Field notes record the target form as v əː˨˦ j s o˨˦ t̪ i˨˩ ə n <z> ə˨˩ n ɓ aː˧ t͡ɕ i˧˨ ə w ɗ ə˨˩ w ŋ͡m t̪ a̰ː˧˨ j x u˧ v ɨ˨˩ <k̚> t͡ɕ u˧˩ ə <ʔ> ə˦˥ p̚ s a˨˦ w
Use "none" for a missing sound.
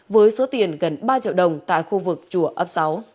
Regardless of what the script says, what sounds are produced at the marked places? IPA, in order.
ɣ, k̚, ʔ

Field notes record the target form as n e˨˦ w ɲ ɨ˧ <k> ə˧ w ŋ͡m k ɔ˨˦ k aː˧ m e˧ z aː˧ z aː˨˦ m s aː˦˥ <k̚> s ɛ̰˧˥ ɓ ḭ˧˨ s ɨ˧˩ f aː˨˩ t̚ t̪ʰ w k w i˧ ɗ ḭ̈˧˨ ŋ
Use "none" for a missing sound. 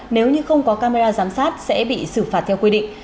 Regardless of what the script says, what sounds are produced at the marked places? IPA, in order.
x, t̚

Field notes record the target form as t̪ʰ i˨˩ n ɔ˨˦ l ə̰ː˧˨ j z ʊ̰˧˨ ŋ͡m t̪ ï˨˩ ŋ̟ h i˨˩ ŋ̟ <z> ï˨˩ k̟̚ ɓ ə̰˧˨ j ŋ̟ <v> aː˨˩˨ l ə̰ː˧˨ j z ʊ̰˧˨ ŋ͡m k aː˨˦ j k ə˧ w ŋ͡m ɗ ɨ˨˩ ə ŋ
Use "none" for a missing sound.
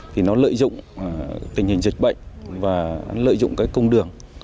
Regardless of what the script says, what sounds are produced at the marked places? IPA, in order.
z, v

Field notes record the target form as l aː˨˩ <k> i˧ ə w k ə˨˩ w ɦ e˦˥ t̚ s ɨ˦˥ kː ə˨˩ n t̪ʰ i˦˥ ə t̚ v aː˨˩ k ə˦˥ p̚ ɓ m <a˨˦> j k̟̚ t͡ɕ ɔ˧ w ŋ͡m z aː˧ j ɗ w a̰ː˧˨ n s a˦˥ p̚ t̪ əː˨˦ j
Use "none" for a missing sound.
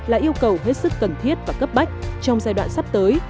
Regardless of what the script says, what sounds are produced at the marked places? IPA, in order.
ʔ, a˦˥

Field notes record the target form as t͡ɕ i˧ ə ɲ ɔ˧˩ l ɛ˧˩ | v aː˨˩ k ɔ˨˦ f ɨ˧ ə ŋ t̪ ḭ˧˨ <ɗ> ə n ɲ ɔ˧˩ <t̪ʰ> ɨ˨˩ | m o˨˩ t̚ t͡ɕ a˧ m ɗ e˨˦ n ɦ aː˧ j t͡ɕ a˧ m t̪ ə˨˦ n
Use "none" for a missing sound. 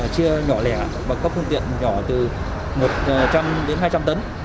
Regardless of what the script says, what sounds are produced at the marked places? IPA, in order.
none, t̪

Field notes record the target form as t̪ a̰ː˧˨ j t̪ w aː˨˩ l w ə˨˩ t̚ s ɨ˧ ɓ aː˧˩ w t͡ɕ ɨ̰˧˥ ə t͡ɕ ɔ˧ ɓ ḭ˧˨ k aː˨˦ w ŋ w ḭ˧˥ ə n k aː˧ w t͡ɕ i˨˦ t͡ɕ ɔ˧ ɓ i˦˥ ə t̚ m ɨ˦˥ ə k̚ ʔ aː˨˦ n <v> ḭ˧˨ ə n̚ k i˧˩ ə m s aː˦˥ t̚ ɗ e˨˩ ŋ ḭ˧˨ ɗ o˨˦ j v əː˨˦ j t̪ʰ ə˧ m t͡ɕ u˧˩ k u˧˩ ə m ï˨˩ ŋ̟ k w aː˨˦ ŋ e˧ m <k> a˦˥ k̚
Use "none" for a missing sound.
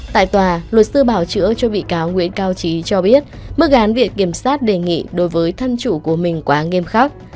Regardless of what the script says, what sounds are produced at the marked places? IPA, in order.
v, x

